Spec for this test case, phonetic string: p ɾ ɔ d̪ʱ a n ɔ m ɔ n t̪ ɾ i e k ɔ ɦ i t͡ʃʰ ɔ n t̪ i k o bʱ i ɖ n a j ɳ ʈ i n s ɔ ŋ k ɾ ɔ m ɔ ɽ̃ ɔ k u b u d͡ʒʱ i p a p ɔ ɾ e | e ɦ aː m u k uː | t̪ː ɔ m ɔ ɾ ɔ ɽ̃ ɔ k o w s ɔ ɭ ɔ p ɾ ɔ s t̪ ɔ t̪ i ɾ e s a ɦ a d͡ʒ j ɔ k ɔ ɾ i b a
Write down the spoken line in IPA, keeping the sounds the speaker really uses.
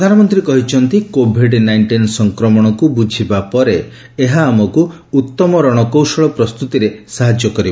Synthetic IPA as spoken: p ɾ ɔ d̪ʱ a n ɔ m ɔ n t̪ ɾ i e k ɔ ɦ i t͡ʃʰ ɔ n t̪ i k o bʱ i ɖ n a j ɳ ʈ i n s ɔ ŋ k ɾ ɔ m ɔ ɽ̃ ɔ k u b u d͡ʒʱ i b a p ɔ ɾ e | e ɦ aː m ɔ k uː | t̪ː ɔ m ɔ ɾ ɔ ɽ̃ ɔ k o w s ɔ ɭ ɔ p ɾ ɔ s t̪ u t̪ i ɾ e s a ɦ a d͡ʒ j ɔ k ɔ ɾ i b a